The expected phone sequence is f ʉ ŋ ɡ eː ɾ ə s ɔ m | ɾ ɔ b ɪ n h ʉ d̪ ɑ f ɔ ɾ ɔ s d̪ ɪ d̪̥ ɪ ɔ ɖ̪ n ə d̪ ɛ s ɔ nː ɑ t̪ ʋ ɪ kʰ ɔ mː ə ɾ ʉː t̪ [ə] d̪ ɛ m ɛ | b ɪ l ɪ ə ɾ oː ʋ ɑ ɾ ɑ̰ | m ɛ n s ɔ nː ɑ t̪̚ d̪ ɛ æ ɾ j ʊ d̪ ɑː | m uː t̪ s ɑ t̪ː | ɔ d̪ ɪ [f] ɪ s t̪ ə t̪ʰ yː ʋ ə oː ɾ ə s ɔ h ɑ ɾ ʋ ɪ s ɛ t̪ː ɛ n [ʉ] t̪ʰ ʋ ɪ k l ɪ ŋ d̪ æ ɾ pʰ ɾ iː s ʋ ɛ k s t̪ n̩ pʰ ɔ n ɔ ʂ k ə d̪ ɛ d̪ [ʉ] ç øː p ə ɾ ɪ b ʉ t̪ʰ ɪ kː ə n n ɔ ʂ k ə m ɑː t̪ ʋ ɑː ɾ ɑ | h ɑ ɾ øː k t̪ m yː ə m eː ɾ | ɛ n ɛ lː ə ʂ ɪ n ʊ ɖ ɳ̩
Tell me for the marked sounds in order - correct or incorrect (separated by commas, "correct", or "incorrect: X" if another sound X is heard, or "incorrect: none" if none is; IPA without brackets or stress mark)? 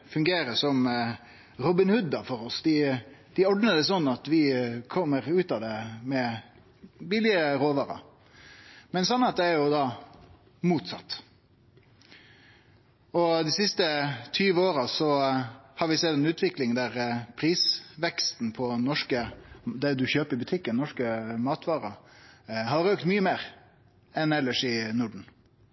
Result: incorrect: ɑ, incorrect: s, incorrect: ʉː, correct